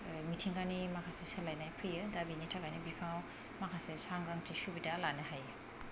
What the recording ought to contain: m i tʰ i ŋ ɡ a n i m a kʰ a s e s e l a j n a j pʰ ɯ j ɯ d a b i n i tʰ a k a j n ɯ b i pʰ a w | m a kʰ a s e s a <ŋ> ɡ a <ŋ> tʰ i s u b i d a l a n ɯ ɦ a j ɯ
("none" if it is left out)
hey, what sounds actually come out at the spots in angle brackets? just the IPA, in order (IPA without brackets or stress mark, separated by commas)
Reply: ŋ, ŋ